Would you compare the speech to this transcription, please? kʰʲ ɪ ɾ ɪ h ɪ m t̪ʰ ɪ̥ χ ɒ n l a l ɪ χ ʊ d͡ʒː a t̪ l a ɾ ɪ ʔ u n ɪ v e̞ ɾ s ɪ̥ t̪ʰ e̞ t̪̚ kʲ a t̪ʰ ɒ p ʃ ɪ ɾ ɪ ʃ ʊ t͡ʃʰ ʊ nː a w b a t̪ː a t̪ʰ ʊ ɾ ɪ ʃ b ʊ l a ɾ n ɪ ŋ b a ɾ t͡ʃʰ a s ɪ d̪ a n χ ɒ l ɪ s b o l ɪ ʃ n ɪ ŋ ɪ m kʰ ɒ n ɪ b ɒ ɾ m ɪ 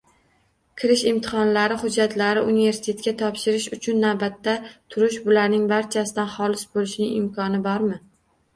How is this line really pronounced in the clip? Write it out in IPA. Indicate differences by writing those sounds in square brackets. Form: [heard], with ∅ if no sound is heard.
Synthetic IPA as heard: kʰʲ ɪ ɾ ɪ [ʃ] ɪ m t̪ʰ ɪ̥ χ ɒ n l a [ɾ] ɪ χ ʊ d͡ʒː a t̪ l a ɾ ɪ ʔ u n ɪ v e̞ ɾ s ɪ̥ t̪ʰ e̞ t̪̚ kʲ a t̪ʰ ɒ p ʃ ɪ ɾ ɪ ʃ ʊ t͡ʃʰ ʊ nː a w b a t̪ː a t̪ʰ ʊ ɾ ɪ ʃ b ʊ l a ɾ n ɪ ŋ b a ɾ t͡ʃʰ a s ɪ d̪ a n χ ɒ l ɪ s b o l ɪ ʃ n ɪ ŋ ɪ m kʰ ɒ n ɪ b ɒ ɾ m ɪ